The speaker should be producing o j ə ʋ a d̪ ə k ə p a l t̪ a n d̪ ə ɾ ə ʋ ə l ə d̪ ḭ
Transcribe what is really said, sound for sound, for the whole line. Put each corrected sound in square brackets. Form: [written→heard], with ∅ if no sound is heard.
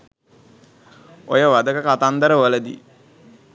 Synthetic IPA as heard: o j ə ʋ a d̪ ə k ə [p→k] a [l→∅] t̪ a n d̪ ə ɾ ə ʋ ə l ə d̪ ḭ